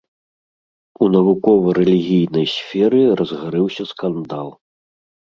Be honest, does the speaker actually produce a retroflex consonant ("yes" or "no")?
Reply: no